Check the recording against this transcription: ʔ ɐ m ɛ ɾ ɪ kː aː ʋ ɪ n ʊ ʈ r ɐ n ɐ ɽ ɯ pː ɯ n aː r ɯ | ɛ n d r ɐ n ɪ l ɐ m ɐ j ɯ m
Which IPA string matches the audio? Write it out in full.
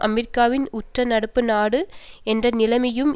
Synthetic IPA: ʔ ɐ m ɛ ɾ ɪ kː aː ʋ ɪ n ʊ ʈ r ɐ n ɐ ɽ ɯ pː ɯ n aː ɽ ɯ | ɛ n d r ɐ n ɪ l ɐ m ɐ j ɯ m